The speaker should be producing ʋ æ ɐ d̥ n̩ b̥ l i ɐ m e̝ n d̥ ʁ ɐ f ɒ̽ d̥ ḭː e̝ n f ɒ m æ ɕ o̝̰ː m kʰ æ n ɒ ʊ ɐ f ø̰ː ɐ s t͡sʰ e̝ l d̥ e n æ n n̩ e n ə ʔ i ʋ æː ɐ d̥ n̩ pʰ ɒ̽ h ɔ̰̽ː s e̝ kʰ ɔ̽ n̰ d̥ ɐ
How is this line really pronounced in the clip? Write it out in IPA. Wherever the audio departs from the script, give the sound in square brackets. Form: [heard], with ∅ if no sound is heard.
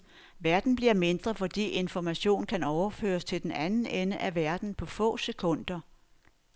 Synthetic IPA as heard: ʋ æ ɐ d̥ n̩ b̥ l i ɐ m e̝ n d̥ ʁ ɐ f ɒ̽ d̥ ḭː e̝ n f ɒ m æ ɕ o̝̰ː [n] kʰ æ n ɒ ʊ ɐ f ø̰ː ɐ s t͡sʰ e̝ l d̥ e n æ n n̩ e n ə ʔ [æ] ʋ [æ] ɐ d̥ n̩ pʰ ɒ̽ [f] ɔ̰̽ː s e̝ kʰ ɔ̽ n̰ d̥ ɐ